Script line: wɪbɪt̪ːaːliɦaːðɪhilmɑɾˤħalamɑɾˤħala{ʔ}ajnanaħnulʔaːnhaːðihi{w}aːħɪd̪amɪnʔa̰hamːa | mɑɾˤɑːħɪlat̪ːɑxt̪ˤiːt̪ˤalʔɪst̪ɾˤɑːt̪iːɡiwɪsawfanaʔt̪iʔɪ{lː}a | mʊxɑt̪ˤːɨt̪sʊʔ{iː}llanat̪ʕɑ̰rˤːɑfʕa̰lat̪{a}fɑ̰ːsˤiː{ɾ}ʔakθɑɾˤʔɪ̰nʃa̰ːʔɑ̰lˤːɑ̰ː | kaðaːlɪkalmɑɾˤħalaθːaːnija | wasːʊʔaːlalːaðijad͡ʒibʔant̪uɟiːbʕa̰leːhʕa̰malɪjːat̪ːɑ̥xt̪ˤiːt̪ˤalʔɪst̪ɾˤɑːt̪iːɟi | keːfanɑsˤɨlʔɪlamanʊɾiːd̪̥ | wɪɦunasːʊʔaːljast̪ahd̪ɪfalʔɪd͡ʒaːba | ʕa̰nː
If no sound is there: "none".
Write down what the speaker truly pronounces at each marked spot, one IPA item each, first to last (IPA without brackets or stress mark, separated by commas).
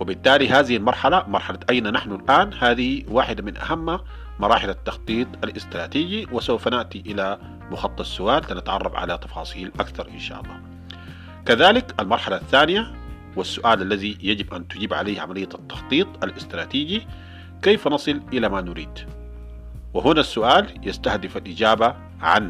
ʔ, w, l, aː, ɑ, l